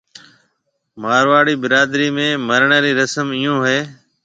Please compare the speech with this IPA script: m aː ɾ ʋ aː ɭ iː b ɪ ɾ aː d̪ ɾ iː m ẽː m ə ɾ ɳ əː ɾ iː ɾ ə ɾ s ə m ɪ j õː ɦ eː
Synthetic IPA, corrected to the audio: m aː ɾ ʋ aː ɽ iː b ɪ ɾ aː d̪ ɾ iː m ẽː m ə ɾ ɳ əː ɾ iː ɾ ə s ə m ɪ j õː ɦ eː